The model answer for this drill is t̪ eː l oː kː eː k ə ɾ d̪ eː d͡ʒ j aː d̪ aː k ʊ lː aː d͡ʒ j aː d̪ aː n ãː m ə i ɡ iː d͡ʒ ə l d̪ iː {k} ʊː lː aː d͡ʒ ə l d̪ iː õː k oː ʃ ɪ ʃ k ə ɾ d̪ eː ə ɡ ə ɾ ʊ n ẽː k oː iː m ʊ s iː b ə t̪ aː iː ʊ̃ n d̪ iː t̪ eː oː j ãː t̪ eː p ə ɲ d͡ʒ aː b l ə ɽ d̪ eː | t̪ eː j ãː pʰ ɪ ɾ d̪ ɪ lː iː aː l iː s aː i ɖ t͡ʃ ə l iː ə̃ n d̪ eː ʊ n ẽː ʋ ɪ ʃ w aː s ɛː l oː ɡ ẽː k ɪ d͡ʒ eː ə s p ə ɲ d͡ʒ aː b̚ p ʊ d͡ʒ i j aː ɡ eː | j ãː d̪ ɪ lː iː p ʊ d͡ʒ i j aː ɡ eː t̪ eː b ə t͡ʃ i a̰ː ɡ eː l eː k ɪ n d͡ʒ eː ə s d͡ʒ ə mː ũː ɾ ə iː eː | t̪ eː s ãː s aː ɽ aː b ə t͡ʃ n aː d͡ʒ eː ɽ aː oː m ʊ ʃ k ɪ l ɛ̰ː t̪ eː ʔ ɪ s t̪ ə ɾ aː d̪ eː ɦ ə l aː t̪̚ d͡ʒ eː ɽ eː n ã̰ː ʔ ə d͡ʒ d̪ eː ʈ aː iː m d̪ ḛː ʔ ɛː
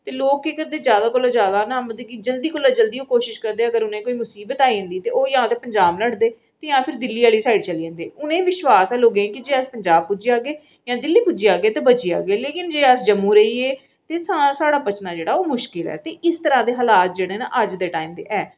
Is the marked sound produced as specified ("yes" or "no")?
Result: yes